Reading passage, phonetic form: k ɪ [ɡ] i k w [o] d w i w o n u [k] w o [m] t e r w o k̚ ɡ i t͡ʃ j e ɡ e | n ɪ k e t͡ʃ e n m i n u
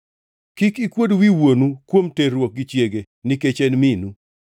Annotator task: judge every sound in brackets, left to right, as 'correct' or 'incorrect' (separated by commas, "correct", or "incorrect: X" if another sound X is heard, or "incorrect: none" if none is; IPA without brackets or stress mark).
incorrect: k, correct, correct, correct